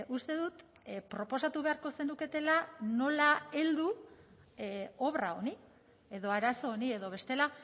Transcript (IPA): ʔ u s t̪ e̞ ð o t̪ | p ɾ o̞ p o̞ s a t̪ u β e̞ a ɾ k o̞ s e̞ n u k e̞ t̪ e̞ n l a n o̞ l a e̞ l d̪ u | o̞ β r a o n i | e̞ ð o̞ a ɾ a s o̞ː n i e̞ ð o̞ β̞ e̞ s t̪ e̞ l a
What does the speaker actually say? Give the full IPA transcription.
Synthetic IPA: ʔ u s t̪ e̞ ð u t̪ | p ɾ o̞ p o̞ s a t̪ u β e̞ a ɾ k o̞ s e̞ n u k e̞ t̪ e̞ l a n o̞ l a e̞ l d̪ u | o̞ β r a o n i | e̞ ð o̞ a ɾ a s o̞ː n i e̞ ð o̞ β̞ e̞ s t̪ e̞ l a